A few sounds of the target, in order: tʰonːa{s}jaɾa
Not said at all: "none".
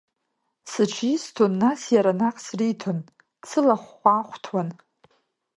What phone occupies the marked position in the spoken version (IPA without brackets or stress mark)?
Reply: s